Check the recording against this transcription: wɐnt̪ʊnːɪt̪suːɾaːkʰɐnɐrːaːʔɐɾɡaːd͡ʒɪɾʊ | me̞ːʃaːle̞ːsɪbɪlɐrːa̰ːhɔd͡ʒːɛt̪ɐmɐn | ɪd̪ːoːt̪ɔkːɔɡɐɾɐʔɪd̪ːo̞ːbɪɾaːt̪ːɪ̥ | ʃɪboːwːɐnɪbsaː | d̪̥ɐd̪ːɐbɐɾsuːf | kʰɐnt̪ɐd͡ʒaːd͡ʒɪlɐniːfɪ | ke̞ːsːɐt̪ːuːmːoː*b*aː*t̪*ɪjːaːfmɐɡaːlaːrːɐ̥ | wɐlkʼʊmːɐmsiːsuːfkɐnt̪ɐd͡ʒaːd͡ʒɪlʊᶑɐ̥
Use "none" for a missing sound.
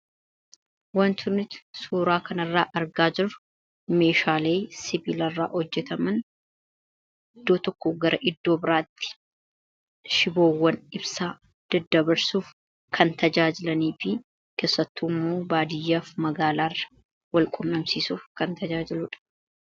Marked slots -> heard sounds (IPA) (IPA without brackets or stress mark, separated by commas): b, d̪